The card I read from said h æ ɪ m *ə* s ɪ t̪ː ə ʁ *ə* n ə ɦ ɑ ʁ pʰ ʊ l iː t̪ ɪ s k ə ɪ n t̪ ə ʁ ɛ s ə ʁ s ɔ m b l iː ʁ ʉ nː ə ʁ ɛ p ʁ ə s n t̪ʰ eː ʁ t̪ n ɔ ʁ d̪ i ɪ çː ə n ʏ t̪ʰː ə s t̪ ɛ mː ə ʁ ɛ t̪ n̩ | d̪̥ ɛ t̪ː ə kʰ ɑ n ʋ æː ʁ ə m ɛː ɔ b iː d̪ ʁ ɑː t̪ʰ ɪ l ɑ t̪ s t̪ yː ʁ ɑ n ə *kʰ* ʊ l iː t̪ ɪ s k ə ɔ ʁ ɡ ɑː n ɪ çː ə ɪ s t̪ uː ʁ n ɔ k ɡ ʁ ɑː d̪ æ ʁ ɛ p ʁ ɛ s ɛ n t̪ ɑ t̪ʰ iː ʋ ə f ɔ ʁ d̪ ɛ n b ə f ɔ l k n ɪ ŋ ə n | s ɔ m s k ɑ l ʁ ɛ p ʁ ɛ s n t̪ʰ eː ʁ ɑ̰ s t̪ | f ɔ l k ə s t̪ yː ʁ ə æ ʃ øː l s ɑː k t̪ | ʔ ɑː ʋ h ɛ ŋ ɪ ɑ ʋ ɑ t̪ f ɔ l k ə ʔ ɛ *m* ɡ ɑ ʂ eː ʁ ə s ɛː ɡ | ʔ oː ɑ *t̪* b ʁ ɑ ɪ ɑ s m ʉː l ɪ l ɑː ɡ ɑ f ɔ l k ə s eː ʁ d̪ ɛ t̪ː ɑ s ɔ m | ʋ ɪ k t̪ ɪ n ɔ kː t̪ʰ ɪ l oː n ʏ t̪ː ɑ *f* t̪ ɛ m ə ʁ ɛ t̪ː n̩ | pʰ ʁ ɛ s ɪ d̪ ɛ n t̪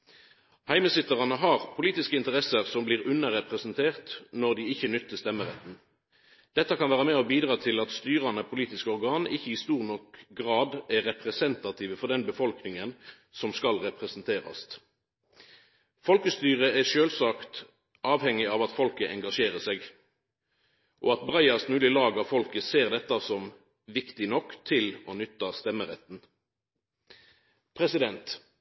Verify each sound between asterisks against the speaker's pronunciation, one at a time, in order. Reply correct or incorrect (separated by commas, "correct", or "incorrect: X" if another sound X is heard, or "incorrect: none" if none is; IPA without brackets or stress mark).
correct, incorrect: ɑ, incorrect: pʰ, incorrect: ŋ, correct, incorrect: s